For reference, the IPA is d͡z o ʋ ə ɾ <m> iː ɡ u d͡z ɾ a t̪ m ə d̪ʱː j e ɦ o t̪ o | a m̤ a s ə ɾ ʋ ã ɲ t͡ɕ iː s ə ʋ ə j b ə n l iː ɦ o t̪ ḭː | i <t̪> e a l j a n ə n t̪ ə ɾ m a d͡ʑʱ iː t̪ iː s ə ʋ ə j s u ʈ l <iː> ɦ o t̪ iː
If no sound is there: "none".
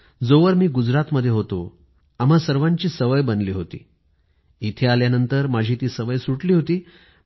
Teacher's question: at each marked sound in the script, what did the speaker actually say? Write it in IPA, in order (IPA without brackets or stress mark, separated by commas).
m, t̪ʰ, iː